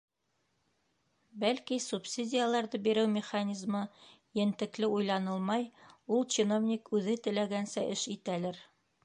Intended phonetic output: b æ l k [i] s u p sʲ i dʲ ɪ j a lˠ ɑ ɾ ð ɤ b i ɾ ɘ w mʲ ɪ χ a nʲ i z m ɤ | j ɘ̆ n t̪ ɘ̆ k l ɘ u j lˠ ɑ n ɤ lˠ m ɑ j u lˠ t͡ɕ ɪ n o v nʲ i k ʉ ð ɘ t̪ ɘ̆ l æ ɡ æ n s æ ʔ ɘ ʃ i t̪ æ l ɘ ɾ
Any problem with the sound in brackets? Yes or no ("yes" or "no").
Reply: no